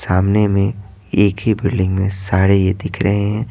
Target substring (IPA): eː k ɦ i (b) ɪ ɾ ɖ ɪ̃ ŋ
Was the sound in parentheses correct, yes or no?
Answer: yes